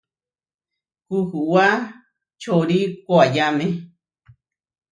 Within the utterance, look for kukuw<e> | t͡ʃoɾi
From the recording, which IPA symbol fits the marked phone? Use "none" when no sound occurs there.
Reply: a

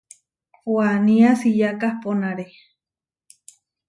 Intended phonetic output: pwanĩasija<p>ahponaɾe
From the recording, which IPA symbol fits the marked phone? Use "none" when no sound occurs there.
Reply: k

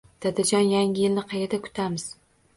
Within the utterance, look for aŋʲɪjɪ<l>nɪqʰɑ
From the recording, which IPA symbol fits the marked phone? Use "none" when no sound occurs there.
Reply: l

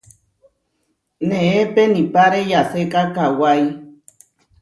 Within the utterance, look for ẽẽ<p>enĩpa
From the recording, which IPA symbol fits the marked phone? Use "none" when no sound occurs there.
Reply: p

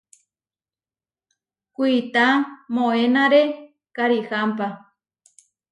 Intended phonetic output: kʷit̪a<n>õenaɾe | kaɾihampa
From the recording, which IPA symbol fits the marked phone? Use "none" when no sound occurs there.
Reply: m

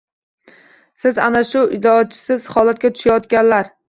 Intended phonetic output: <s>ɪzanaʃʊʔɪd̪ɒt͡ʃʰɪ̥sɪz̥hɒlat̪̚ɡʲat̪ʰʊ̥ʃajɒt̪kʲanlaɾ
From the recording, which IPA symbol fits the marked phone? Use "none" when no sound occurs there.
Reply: s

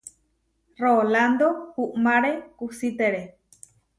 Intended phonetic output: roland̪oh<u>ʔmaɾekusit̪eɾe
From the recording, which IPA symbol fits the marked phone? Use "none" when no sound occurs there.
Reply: u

